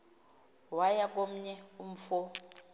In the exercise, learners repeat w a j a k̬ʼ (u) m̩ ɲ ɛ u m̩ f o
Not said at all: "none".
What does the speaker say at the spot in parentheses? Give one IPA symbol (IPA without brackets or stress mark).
o